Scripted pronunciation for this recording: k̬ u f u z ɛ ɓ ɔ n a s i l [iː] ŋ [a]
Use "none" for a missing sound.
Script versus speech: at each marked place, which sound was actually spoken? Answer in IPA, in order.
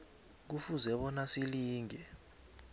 iː, ɛ

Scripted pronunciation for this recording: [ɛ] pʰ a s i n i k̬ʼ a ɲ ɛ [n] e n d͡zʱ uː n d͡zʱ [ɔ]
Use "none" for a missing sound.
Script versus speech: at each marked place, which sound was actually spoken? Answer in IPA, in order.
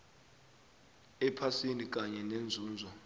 ɛ, n, ɔ

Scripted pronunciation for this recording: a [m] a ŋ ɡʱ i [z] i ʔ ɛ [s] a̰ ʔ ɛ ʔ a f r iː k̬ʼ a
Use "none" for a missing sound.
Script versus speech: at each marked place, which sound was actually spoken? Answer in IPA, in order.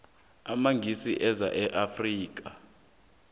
m, s, z

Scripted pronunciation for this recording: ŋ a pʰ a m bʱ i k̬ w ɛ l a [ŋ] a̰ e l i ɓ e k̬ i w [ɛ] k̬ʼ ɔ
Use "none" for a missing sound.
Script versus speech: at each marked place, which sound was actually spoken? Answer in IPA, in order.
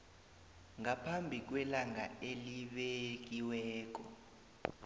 ŋ, ɛː

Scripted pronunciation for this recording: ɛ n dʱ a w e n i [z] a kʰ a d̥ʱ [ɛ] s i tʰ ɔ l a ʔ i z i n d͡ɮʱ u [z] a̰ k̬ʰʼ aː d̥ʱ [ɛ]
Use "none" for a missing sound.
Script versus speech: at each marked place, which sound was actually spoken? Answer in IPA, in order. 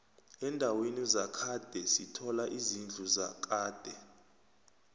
z, ɛ, z, ɛ

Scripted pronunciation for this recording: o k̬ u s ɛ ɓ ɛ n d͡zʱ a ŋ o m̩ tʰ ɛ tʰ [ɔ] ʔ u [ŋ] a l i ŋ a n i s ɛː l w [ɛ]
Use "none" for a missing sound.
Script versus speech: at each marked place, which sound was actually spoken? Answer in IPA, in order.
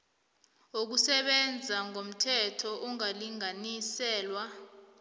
ɔ, ŋ, a

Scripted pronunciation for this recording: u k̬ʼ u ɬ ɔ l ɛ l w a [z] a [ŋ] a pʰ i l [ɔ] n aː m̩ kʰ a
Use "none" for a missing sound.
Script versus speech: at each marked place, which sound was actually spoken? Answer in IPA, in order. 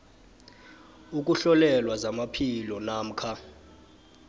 z, m, ɔ

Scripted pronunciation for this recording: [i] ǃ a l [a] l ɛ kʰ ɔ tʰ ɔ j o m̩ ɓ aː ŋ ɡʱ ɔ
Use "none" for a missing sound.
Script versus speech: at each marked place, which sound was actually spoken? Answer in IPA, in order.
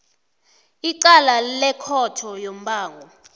i, a

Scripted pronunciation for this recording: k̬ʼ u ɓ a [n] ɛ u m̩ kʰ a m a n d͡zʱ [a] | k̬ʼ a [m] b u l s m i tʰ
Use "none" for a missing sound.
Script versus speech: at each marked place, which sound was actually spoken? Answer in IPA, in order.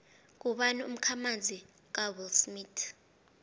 n, i, none

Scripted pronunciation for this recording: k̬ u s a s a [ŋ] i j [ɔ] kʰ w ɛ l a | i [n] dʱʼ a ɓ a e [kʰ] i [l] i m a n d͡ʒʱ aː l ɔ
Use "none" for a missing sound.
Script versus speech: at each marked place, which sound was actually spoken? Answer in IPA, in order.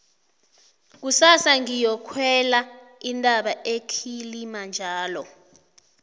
ŋ, ɔ, n, kʰ, l

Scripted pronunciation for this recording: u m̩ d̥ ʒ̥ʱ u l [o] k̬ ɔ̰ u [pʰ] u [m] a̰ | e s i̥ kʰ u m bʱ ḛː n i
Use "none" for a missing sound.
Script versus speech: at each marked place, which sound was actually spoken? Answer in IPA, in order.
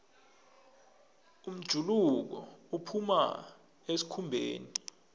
u, pʰ, m

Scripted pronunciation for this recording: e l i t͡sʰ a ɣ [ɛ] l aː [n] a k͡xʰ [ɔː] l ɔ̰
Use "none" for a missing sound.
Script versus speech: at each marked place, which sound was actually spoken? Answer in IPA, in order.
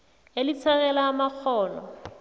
ɛ, m, ɔː

